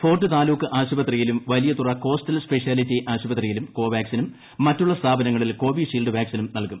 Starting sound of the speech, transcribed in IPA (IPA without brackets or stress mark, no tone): f